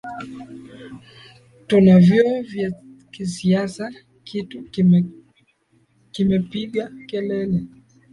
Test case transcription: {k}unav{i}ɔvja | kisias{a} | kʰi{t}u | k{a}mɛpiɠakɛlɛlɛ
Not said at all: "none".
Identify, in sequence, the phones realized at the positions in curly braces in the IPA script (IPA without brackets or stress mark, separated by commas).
t, j, a, t, i